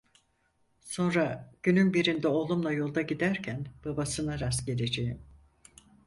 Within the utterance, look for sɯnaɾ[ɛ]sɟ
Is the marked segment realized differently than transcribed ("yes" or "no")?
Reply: yes